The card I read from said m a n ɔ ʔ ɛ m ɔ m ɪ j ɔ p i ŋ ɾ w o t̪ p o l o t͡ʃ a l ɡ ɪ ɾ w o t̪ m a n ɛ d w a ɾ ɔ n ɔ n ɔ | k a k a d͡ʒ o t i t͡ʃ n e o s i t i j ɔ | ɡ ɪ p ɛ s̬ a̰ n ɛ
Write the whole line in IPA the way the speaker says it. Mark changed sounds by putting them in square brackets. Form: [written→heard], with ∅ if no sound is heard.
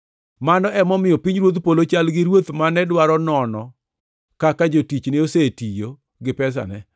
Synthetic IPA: m a n ɔ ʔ ɛ m ɔ m ɪ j ɔ p i [ŋ→ɲ] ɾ w o t̪ p o l o t͡ʃ a l ɡ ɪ ɾ w o t̪ m a n ɛ d w a ɾ ɔ n ɔ n ɔ | k a k a d͡ʒ o t i t͡ʃ n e o s [i→e] t i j [ɔ→o] | ɡ ɪ p ɛ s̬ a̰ n ɛ